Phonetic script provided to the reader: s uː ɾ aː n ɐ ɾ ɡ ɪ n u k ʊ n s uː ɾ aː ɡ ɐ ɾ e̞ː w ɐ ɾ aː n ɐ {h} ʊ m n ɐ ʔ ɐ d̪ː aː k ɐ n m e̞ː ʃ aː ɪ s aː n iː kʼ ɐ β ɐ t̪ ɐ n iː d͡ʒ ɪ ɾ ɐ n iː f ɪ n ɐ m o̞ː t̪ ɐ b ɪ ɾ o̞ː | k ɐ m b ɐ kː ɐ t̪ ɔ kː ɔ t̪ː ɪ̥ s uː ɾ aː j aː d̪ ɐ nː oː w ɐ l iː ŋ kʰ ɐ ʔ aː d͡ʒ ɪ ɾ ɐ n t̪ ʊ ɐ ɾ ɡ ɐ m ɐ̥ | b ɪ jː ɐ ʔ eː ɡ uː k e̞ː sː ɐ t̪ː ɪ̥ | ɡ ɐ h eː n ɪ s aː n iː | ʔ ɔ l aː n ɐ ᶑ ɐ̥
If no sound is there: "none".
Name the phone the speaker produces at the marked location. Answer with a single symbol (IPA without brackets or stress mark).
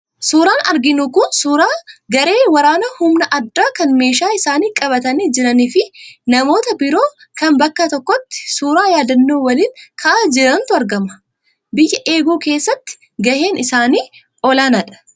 h